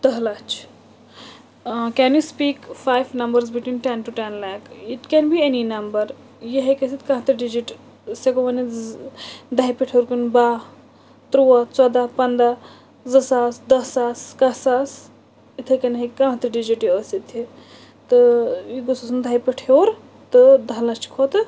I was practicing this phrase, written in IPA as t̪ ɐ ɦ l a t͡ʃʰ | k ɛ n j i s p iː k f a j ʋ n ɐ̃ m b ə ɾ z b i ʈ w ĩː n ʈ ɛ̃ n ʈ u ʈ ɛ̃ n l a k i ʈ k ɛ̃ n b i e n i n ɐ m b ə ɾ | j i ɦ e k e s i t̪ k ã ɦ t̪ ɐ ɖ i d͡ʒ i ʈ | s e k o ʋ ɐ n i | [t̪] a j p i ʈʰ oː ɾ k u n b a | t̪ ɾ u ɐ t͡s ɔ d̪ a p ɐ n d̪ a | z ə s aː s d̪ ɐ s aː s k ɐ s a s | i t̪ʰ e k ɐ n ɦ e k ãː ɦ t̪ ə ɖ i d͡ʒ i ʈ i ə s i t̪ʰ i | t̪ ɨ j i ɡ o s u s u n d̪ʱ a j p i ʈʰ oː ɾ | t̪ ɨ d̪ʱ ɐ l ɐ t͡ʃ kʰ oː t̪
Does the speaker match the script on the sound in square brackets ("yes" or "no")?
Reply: no